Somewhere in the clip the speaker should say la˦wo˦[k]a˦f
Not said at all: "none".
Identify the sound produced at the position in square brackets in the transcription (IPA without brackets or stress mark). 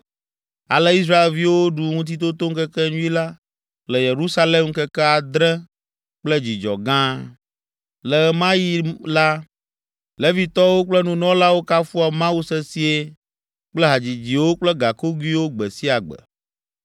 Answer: k